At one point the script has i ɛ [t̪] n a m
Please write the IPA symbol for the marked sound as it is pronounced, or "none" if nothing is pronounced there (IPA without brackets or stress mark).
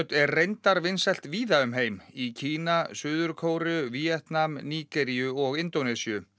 t̪